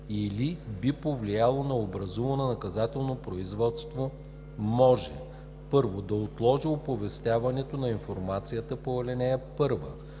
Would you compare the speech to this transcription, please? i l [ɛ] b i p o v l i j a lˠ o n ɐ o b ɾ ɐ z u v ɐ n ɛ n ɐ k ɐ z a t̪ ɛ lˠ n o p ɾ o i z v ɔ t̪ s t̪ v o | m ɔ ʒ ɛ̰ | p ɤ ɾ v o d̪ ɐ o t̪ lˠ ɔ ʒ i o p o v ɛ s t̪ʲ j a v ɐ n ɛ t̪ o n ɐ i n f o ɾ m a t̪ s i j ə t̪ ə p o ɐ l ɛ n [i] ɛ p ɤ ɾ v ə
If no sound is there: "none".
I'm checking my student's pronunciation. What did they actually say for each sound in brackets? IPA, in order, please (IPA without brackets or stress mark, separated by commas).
i, ɛ